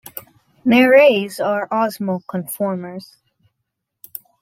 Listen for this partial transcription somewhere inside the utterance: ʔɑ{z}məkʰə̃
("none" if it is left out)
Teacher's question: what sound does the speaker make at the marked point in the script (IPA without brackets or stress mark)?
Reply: z